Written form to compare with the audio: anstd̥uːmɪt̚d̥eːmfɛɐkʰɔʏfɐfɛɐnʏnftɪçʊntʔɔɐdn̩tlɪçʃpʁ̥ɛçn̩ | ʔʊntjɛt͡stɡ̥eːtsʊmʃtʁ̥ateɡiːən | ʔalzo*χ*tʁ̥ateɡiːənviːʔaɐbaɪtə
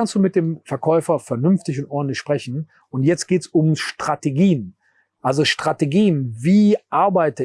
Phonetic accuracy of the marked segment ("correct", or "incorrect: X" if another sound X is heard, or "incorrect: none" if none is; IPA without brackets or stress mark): incorrect: ʃ